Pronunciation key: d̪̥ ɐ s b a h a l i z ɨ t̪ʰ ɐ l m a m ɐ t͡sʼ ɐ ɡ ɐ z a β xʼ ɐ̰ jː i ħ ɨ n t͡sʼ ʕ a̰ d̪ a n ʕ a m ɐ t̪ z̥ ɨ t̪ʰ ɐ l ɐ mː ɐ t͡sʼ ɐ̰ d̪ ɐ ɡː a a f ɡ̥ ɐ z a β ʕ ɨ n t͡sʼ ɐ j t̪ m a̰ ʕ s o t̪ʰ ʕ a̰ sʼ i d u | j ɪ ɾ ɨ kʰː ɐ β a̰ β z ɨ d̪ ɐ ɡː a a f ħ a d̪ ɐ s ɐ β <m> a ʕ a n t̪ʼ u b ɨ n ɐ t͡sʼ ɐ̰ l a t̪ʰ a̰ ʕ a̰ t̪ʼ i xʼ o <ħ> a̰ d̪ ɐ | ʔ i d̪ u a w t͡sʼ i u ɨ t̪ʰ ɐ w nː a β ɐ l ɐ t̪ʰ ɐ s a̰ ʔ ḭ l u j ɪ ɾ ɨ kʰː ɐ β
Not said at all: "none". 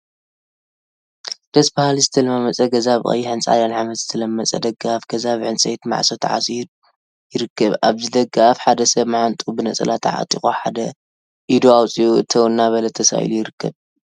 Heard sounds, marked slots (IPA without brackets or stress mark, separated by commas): m, ħ